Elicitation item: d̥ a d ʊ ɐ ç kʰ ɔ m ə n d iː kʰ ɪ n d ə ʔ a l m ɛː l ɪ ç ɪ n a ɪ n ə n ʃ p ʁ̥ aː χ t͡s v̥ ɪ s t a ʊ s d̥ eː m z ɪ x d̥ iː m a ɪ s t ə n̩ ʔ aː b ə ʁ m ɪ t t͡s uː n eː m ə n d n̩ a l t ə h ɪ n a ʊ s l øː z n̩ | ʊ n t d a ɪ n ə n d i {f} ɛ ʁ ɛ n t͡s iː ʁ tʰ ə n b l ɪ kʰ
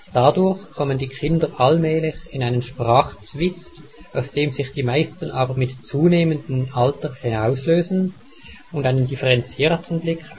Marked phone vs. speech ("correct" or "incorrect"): correct